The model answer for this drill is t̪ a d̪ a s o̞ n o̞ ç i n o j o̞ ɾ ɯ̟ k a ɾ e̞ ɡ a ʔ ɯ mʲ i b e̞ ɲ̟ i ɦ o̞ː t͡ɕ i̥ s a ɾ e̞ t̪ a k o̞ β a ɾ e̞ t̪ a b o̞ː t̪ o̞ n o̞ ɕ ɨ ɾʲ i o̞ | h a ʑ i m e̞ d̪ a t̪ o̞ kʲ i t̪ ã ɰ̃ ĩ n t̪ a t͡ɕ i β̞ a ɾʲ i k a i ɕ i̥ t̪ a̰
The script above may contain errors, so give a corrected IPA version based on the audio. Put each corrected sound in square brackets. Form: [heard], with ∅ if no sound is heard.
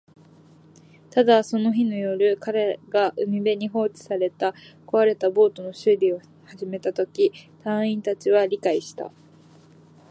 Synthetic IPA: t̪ a d̪ a s o̞ n o̞ ç i n o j o̞ ɾ ɯ̟ k a ɾ e̞ ɡ a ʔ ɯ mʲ i b e̞ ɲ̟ i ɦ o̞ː t͡ɕ i̥ s a ɾ e̞ t̪ a k o̞ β a ɾ e̞ t̪ a b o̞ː t̪ o̞ n o̞ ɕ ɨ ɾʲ i o̞ | h a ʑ i m e̞ [t̪] a t̪ o̞ kʲ i t̪ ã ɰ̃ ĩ n t̪ a t͡ɕ i β̞ a ɾʲ i k a i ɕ i̥ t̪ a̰